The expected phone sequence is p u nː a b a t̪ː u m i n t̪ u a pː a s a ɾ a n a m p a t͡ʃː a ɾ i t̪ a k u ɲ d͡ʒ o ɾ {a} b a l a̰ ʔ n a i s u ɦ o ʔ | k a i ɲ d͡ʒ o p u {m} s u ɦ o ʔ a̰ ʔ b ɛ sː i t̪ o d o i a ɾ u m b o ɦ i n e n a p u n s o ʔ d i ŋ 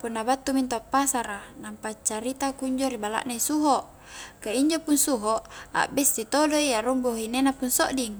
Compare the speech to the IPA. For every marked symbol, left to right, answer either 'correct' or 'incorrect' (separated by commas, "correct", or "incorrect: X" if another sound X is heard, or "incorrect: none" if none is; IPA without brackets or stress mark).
incorrect: i, incorrect: n